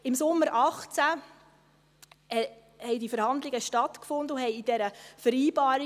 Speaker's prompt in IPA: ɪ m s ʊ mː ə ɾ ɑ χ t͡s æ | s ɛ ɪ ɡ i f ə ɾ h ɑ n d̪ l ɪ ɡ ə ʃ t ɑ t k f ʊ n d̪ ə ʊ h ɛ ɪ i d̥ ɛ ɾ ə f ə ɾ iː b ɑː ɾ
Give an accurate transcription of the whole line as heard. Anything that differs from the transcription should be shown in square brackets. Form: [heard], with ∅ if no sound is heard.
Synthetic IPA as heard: ɪ m s ʊ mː ə ɾ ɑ χ t͡s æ | [h] ɛ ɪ [d] i f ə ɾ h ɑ n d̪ l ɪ ɡ ə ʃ t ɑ t k f ʊ n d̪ ə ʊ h ɛ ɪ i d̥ ɛ ɾ ə f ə ɾ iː b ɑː ɾ